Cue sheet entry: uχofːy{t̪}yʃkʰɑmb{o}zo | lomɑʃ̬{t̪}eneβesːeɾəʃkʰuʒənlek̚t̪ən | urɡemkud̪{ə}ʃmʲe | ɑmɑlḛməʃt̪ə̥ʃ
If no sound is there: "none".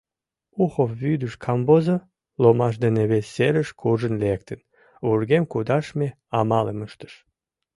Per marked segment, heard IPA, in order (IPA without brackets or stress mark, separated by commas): d̪, o, d̪, ɑ